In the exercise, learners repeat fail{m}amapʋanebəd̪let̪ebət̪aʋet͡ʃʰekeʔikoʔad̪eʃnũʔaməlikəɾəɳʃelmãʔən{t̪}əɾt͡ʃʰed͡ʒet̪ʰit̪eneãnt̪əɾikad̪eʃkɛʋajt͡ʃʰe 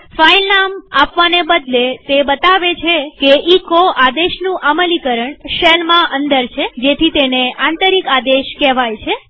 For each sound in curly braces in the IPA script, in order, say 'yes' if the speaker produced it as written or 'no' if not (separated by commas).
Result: no, no